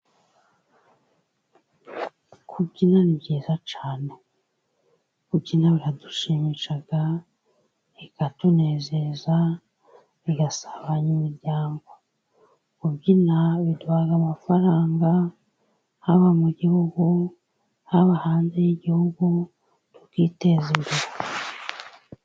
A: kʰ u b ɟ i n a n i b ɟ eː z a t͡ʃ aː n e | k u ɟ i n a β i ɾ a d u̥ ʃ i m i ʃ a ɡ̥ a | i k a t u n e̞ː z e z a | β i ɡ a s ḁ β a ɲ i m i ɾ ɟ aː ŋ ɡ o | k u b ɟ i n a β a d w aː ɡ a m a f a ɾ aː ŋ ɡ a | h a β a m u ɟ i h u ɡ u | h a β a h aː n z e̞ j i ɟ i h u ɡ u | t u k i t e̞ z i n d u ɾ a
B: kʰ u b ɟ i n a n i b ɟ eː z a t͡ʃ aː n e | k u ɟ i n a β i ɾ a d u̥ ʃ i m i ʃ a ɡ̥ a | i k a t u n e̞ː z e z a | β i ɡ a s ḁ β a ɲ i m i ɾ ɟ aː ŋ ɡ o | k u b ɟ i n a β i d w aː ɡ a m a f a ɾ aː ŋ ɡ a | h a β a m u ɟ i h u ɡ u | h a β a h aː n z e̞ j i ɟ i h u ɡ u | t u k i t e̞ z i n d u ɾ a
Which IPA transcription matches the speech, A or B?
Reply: B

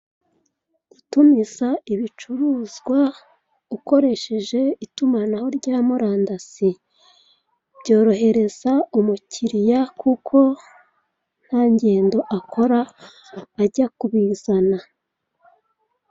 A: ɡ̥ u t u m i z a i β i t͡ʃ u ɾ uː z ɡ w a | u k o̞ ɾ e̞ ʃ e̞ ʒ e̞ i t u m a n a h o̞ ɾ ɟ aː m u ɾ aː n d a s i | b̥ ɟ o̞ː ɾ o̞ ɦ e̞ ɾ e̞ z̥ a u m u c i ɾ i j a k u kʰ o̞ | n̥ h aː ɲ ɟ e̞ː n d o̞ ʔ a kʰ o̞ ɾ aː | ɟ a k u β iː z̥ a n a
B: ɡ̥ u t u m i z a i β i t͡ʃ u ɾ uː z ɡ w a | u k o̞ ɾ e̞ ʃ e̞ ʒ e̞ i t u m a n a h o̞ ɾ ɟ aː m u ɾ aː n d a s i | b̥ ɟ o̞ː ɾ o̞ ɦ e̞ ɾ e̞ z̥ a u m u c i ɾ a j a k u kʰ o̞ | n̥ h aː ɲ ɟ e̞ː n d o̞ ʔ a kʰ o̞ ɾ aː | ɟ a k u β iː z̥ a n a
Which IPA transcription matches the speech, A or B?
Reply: A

